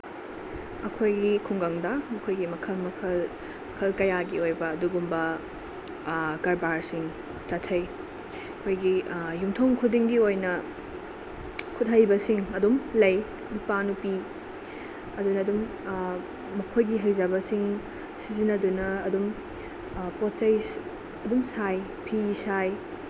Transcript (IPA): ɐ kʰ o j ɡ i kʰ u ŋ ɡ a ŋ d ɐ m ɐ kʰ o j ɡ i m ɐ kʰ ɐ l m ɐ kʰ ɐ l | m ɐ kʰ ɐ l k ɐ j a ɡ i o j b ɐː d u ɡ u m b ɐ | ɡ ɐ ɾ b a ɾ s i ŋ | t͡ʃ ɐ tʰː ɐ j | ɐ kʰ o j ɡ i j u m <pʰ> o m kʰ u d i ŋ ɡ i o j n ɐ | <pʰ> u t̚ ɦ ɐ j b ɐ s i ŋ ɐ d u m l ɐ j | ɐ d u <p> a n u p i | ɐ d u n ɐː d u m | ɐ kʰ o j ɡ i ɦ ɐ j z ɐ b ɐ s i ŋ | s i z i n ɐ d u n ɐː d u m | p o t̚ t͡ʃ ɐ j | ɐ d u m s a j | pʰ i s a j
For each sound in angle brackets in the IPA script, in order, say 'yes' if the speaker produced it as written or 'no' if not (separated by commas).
no, no, yes